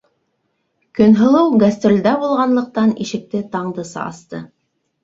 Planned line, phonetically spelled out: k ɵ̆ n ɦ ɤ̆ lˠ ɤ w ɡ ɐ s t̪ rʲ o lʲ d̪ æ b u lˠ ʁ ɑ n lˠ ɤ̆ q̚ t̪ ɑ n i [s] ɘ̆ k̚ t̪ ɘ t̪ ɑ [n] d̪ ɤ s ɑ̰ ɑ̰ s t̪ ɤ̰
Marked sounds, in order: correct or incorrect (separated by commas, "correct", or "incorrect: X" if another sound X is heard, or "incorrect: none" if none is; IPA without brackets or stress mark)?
incorrect: ʃ, incorrect: ɴ